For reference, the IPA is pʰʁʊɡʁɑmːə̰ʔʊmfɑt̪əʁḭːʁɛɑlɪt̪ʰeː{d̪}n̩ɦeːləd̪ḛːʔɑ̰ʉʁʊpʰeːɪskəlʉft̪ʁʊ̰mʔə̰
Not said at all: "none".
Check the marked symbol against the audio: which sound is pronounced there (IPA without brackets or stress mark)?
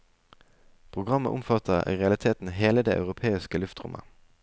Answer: t̪